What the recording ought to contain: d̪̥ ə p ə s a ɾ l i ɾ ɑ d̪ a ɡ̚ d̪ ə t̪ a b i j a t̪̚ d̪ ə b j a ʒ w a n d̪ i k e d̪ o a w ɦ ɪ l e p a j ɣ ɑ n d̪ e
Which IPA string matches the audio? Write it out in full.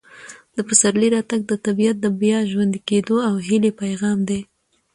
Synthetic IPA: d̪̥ ə p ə s a ɾ l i ɾ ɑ t̪ a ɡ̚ d̪ ə t̪ a b i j a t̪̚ d̪ ə b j a ʒ w a n d̪ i k e d̪ o a w ɦ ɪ l e p a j ɣ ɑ m d̪ e